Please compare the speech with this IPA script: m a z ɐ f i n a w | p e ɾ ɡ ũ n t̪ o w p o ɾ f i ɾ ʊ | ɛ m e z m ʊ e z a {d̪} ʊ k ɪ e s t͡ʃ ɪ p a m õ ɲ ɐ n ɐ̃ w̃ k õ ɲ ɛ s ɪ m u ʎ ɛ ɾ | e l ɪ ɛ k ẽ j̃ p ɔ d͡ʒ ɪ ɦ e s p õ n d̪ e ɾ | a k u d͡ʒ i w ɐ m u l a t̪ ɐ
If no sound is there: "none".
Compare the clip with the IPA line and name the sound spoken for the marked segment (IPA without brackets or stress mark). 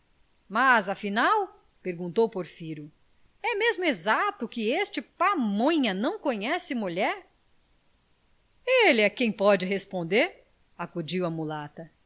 t̪